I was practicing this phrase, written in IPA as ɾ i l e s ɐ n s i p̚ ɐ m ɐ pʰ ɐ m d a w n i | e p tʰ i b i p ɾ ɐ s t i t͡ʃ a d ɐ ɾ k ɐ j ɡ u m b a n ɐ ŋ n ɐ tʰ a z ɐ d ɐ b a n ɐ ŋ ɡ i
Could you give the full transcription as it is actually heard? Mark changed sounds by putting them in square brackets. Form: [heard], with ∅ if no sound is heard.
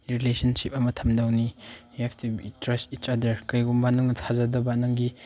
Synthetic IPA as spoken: ɾ i l e s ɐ n s i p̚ ɐ m ɐ [tʰ] ɐ m d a w n i | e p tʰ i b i [t] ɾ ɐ s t i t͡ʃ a d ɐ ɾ k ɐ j ɡ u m b a n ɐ ŋ n ɐ tʰ a z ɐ d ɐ b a n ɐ ŋ ɡ i